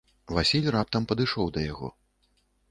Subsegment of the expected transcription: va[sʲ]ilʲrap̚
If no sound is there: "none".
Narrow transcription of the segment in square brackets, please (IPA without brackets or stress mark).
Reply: sʲ